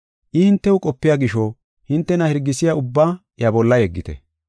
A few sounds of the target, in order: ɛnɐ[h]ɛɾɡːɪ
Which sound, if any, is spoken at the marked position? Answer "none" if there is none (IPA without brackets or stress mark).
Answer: h